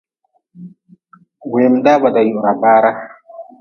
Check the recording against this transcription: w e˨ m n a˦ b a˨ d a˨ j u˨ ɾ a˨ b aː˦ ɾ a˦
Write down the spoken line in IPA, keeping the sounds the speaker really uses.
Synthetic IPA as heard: w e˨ m d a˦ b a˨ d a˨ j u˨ ɾ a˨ b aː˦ ɾ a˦